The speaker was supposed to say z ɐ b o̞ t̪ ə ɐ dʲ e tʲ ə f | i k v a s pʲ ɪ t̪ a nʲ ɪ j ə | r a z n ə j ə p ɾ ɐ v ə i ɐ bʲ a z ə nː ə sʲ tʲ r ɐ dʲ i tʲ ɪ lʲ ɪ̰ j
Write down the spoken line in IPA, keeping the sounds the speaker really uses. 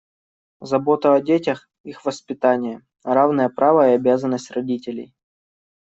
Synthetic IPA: z ɐ b o̞ t̪ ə ɐ dʲ e tʲ ə x | i x v ə s pʲ ɪ t̪ a nʲ ɪ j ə | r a v n ə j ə p ɾ a v ə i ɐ bʲ a z ə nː ə sʲ tʲ r ɐ dʲ i tʲ ɪ lʲ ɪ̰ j